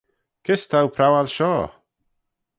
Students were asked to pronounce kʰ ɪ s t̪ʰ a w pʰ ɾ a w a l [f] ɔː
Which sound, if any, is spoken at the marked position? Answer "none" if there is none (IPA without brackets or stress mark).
ʃ